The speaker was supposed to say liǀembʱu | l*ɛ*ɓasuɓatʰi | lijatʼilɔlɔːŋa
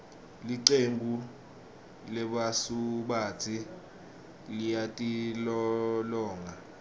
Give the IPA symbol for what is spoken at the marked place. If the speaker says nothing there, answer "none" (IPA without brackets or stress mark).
ɛ